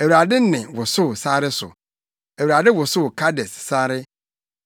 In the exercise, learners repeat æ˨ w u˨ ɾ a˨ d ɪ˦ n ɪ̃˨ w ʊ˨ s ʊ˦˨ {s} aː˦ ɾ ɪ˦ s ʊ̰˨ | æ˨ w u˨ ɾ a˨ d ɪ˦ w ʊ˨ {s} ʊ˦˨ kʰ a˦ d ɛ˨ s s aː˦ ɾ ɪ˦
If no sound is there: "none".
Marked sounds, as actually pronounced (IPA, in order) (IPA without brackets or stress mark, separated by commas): s, s